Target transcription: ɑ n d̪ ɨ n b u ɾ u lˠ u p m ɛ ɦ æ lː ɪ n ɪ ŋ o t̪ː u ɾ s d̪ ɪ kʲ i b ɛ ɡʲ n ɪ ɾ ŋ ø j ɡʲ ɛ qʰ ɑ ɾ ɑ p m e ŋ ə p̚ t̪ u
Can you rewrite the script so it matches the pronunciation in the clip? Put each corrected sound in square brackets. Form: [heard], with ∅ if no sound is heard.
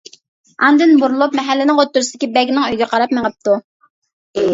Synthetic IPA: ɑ n d̪ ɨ n b u ɾ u lˠ u p m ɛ ɦ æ lː ɪ n ɪ ŋ o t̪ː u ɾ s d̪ ɪ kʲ i b ɛ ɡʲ n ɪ [∅] ŋ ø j ɡʲ ɛ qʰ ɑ ɾ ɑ p m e ŋ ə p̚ t̪ u